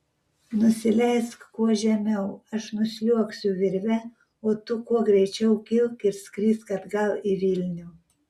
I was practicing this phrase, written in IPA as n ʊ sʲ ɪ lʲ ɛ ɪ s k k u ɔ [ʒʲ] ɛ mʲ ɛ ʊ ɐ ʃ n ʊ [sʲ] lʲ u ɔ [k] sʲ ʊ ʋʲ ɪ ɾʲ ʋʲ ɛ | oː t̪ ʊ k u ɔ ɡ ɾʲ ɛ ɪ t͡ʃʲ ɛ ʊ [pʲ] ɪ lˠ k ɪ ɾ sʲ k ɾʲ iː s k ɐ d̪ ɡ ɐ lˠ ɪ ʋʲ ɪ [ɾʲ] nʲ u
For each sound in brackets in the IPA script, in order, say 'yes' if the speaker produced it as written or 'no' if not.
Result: yes, yes, yes, no, no

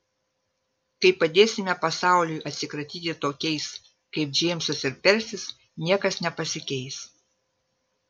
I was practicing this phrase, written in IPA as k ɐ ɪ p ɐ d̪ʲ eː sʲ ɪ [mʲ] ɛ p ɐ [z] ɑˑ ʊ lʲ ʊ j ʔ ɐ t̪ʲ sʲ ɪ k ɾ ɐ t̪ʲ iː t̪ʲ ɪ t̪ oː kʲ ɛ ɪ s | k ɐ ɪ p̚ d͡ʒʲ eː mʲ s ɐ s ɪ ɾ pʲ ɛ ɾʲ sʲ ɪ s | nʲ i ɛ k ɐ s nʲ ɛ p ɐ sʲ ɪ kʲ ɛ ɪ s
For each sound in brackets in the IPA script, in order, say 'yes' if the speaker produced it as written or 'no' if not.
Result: yes, no

